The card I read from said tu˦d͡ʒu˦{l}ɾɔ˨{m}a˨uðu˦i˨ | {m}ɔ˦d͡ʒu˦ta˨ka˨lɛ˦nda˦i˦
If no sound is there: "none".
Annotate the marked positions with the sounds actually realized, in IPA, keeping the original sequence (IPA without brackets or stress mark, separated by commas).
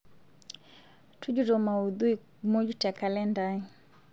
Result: none, m, m